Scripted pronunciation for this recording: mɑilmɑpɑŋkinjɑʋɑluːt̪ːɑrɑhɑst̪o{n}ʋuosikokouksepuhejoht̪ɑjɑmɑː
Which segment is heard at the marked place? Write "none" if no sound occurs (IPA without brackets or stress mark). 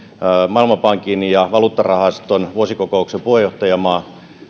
n